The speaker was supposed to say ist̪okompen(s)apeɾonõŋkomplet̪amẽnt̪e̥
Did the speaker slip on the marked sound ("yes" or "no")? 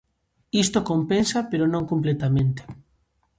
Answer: no